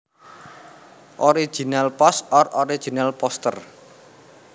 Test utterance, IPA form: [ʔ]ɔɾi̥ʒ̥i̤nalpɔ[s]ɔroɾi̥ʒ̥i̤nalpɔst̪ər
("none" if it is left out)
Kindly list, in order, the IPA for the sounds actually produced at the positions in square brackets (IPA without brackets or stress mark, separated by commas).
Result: ʔ, s